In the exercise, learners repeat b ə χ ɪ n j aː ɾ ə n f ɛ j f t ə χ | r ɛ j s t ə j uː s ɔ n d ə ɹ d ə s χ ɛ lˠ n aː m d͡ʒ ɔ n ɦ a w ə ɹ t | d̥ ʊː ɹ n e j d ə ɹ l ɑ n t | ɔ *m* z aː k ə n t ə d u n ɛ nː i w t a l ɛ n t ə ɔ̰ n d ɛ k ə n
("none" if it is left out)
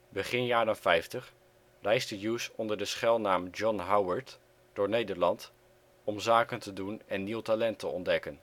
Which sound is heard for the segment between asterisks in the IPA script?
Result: m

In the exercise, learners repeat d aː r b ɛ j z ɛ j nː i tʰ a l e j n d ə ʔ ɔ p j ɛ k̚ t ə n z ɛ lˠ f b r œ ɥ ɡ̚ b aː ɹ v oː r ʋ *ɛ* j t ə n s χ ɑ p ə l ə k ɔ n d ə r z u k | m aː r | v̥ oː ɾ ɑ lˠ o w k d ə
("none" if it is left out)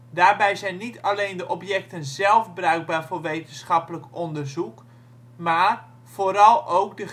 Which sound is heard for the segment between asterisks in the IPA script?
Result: e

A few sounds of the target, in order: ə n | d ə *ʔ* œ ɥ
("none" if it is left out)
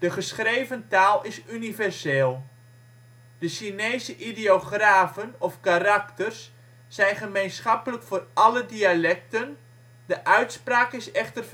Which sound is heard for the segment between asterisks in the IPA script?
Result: ʔ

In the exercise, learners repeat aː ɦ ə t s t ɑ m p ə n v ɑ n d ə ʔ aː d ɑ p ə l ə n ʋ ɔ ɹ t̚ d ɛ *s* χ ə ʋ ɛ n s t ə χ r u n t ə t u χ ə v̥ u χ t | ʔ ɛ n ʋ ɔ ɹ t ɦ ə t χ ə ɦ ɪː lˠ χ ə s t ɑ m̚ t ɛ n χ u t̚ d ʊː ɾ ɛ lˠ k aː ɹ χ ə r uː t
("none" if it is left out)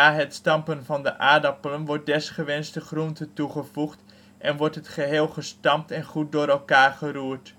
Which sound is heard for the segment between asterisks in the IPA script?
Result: s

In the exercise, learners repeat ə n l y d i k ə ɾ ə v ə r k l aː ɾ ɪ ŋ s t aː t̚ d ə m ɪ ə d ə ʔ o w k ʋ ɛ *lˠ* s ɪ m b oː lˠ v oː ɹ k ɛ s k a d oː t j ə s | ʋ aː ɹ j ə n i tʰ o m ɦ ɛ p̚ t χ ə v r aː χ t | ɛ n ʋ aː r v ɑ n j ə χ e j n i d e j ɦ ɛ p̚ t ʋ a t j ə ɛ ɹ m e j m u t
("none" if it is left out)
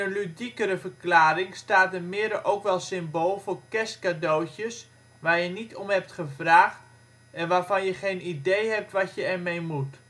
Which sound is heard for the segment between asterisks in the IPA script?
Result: lˠ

